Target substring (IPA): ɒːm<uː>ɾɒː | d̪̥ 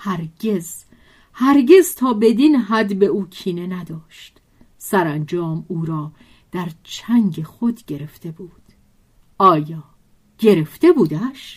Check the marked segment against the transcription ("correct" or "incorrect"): correct